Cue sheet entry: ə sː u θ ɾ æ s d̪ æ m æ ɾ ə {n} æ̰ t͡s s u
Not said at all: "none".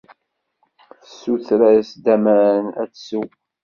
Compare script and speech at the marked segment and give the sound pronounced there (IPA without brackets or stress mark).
n